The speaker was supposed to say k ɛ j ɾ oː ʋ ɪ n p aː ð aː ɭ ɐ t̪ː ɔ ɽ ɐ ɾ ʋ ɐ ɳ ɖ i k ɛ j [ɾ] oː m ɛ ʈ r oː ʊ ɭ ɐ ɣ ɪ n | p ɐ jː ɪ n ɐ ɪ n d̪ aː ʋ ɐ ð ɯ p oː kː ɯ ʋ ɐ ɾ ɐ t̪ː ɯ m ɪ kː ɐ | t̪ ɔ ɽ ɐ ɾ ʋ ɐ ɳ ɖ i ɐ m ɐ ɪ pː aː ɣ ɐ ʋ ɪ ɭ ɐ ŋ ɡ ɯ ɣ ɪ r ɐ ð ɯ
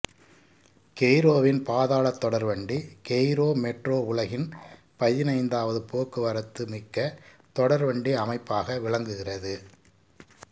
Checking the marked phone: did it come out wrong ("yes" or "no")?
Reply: no